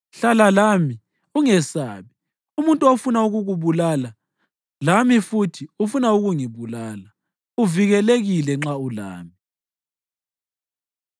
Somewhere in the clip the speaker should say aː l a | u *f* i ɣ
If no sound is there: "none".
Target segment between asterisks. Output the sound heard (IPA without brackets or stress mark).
v